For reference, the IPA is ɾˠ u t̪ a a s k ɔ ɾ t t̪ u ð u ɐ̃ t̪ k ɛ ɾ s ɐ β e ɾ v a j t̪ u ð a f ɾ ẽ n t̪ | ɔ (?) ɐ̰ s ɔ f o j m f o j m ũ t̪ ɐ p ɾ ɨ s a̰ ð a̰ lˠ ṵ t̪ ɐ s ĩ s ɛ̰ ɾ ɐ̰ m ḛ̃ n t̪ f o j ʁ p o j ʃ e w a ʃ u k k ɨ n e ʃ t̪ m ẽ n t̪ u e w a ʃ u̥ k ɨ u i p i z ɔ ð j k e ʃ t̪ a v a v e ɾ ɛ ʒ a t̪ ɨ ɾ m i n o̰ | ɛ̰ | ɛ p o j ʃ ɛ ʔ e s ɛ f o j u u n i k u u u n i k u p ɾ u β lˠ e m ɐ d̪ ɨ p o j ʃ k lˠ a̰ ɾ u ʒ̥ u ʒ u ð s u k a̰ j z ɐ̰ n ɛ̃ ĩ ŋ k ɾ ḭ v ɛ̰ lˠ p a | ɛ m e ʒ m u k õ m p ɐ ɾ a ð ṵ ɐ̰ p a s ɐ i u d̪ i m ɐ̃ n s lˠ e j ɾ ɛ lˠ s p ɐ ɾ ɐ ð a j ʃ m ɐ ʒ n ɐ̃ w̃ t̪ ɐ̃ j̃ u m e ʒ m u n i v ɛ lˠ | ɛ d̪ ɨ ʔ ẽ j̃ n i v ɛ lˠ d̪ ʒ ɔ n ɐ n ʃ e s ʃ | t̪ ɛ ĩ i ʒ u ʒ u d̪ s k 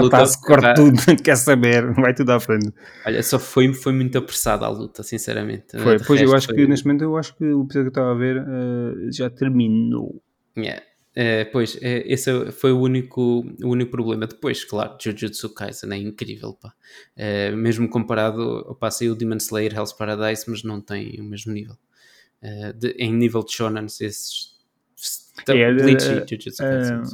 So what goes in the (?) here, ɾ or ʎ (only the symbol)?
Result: ʎ